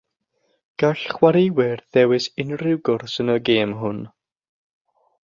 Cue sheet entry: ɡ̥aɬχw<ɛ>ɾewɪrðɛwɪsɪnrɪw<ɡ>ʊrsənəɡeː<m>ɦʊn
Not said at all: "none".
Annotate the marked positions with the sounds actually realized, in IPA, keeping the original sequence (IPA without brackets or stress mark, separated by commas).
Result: a, ɡ, m